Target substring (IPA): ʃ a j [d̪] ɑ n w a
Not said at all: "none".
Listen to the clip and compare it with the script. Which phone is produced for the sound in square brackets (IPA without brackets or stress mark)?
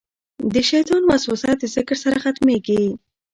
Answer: t̪